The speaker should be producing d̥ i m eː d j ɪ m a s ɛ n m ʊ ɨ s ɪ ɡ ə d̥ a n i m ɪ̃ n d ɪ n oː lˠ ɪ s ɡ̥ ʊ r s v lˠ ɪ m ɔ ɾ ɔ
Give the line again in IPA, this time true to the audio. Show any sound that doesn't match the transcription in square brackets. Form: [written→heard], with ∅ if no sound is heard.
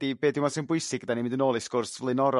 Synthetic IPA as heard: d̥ i [m→b] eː d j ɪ m a s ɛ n [m→b] ʊ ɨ s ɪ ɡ ə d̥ a n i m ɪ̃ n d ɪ n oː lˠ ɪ s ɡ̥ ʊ r s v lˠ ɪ [m→n] ɔ ɾ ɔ

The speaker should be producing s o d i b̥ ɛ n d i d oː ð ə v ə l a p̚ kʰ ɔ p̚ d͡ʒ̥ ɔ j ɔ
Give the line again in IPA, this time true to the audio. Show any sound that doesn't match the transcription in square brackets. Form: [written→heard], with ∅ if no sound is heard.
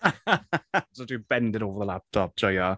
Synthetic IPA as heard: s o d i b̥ ɛ n d [i→ɪ] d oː [ð→v] ə [v→ð] ə l a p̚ [kʰ→tʰ] ɔ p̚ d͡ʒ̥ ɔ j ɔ

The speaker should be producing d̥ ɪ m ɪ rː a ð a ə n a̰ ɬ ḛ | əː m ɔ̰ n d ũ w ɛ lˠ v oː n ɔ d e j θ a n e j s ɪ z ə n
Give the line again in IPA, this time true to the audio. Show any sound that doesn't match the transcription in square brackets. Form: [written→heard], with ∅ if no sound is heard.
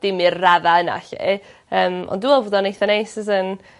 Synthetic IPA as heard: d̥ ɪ m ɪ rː a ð a ə n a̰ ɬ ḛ | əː m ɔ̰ n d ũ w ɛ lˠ v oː [n→d] ɔ [d→n] e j θ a n e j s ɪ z ə n

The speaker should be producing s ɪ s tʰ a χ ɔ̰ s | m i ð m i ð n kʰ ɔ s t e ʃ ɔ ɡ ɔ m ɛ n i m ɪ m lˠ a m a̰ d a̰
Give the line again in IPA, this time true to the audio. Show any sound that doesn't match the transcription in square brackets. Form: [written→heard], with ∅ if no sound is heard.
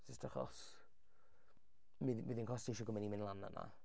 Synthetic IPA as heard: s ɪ s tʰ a χ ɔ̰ s | m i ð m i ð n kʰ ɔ s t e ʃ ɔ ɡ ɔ m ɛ n i m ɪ [m→n] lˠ a [m→n] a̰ [d→n] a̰

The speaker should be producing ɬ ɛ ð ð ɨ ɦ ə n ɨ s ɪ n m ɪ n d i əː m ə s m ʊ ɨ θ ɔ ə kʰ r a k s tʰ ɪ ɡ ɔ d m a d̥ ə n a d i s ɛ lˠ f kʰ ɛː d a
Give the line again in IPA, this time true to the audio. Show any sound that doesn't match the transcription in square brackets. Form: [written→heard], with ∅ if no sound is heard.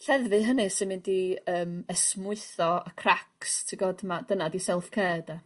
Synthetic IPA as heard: ɬ ɛ ð [ð→v] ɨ ɦ ə n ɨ s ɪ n m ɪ n d i əː m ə s m ʊ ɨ θ ɔ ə kʰ r a k s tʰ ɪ ɡ ɔ d m a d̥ ə n a d i s ɛ lˠ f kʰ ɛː d a

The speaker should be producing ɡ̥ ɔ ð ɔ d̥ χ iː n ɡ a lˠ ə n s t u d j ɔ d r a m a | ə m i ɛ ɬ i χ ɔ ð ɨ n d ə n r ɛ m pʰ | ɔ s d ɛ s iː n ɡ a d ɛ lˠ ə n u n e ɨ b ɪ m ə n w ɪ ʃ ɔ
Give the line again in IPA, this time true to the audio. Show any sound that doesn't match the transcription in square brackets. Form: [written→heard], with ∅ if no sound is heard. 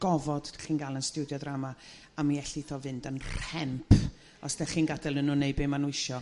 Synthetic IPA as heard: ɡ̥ ɔ [ð→v] ɔ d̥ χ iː n ɡ a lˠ ə n s t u d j ɔ d r a m a | [ə→a] m i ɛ ɬ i [χ→θ] ɔ [ð→v] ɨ n d ə n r ɛ m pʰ | ɔ s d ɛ [s→χ] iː n ɡ a d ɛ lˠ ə n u n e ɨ b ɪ m [ə→a] n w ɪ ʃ ɔ

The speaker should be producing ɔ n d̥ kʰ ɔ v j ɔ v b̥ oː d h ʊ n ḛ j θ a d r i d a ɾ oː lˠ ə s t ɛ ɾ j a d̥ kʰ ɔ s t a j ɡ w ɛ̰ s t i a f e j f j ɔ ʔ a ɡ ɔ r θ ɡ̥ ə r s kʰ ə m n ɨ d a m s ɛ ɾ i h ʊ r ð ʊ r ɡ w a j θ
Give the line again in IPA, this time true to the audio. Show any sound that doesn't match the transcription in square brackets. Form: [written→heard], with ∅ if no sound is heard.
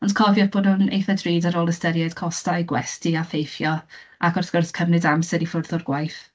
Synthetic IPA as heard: ɔ n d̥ kʰ ɔ v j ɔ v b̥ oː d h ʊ n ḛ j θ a d r [i→iː] d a ɾ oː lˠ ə s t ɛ ɾ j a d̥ kʰ ɔ s t a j ɡ w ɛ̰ s t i a f e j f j ɔ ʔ a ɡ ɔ r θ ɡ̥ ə r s kʰ ə m n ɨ d a m s ɛ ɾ i [h→f] ʊ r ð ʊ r ɡ w a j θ

